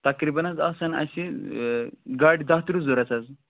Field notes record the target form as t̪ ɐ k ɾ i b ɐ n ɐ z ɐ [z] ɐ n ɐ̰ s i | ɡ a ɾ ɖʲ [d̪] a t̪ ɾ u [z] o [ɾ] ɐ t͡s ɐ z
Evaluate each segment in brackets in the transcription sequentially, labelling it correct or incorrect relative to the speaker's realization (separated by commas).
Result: incorrect, correct, correct, correct